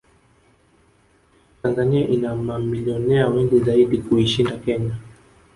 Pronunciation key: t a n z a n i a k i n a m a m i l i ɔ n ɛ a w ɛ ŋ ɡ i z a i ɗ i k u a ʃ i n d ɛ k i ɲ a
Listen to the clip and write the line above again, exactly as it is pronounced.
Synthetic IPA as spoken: t a n z a n i a ʔ i n a m a m i l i ɔ n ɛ a w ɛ ŋ ɡ i z a i ɗ i k u i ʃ i n d a k ɛ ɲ a